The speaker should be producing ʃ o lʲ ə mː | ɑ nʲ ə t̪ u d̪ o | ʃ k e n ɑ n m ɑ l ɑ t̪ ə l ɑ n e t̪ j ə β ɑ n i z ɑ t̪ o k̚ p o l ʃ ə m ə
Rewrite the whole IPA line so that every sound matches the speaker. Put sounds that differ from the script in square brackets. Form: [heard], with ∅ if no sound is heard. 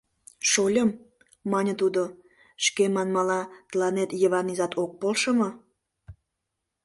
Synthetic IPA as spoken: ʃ o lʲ ə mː | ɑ nʲ ə t̪ u d̪ o | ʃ k e [m] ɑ n m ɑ l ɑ t̪ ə l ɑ n e t̪ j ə β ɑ n i z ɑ t̪ o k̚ p o l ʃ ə m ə